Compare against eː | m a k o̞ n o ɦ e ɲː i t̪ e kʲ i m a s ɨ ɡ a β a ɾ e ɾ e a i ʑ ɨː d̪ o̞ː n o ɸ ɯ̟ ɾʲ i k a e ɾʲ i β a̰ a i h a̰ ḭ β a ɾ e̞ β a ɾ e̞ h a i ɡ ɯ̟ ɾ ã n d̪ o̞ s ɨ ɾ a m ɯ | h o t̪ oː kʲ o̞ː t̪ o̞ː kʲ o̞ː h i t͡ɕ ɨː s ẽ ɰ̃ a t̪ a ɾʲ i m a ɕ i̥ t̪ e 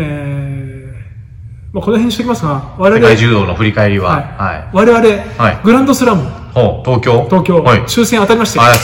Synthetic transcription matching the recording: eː | m a k o̞ n o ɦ e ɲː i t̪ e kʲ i m a s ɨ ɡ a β a ɾ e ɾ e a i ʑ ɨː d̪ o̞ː n o ɸ ɯ̟ ɾʲ i k a e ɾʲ i β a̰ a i h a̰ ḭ β a ɾ e̞ β a ɾ e̞ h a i ɡ ɯ̟ ɾ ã n d̪ o̞ s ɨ ɾ a m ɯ | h o t̪ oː kʲ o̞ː t̪ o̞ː kʲ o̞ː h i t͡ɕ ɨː s ẽ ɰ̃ a t̪ a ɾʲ i m a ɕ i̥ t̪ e